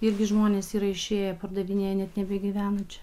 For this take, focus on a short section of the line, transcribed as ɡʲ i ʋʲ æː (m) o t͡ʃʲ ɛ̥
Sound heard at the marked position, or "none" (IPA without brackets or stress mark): n